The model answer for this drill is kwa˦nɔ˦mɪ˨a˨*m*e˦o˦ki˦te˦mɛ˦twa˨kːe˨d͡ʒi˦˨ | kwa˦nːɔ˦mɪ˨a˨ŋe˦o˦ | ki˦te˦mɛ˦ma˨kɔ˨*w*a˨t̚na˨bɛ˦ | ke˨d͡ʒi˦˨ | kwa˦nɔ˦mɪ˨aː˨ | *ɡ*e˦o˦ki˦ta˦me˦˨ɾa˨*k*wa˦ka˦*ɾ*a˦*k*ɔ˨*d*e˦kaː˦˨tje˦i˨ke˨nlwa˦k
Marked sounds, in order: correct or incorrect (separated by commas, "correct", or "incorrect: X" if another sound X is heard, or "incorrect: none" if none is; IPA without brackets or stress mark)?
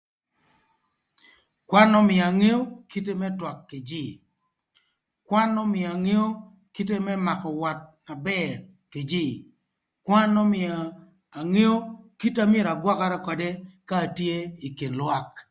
incorrect: ŋ, correct, incorrect: ŋ, incorrect: ɡ, correct, correct, correct